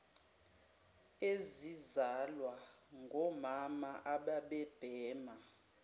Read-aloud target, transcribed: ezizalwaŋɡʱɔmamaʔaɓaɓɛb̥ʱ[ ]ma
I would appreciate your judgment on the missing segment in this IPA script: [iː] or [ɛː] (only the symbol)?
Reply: ɛː